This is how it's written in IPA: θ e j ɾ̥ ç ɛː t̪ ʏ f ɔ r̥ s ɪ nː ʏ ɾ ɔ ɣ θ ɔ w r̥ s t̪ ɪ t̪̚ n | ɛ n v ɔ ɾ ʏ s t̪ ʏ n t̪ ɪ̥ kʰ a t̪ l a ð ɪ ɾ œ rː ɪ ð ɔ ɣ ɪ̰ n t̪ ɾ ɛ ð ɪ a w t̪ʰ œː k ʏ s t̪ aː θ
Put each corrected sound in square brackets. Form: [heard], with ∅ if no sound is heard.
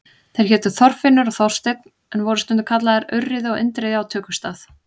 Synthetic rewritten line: θ e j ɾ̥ ç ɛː t̪ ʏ [θ] ɔ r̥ [f] ɪ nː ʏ ɾ ɔ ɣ θ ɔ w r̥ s t̪ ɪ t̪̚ n | ɛ n v ɔ ɾ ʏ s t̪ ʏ n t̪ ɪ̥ kʰ a t̪ l a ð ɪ ɾ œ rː ɪ ð ɔ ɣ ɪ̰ n t̪ ɾ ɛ ð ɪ a w t̪ʰ œː k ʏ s t̪ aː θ